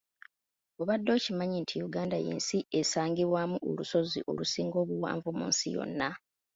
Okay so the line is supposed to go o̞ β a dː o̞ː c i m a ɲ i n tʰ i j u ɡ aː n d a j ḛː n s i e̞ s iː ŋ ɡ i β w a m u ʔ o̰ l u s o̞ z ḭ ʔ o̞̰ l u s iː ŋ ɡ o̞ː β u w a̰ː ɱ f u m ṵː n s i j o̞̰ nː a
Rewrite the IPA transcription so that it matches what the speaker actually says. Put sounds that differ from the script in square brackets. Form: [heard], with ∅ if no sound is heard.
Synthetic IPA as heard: o̞ β a dː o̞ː c i m a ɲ i n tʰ i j u ɡ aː n d a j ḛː n s i e̞ s [aː] ŋ ɡ i β w a m u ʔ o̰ l u s o̞ z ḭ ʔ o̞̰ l u s iː ŋ ɡ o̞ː β u w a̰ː ɱ [v] u m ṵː n s i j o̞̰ nː a